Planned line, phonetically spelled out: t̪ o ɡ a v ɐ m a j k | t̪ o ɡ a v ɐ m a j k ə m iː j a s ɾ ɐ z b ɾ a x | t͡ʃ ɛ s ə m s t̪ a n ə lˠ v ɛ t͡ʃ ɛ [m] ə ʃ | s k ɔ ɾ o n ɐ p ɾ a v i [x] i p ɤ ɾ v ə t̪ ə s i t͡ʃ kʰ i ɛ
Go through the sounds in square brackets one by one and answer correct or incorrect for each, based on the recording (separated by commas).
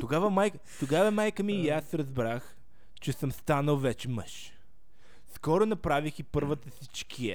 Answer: correct, correct